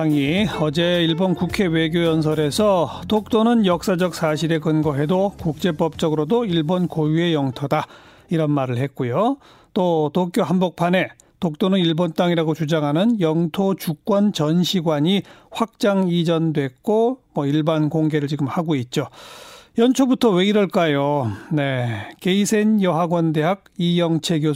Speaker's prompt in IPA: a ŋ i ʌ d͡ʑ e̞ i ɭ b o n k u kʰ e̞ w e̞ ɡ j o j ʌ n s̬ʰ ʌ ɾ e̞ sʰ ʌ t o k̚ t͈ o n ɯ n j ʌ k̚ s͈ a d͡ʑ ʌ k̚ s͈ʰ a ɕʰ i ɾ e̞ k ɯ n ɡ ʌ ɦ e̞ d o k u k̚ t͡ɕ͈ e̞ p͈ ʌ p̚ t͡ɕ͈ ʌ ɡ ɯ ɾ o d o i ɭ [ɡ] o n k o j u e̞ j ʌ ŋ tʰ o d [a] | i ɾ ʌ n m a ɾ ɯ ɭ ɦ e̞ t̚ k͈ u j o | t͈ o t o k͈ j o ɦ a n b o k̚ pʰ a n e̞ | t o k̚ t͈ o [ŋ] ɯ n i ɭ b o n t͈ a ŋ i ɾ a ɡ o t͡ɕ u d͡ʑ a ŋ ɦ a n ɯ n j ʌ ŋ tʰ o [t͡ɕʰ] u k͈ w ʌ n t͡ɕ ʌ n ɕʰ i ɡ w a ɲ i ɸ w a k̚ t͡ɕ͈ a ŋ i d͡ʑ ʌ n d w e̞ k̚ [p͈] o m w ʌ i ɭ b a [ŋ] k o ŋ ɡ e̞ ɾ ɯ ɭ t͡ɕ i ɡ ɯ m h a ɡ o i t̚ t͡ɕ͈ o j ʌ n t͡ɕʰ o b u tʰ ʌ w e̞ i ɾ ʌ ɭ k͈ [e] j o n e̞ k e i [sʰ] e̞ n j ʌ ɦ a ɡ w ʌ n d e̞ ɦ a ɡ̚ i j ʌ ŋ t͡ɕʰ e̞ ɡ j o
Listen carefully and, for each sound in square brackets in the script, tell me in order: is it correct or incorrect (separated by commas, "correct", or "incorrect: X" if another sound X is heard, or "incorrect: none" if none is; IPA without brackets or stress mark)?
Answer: incorrect: b, correct, incorrect: n, incorrect: t͡ɕ, incorrect: k͈, incorrect: n, incorrect: a, correct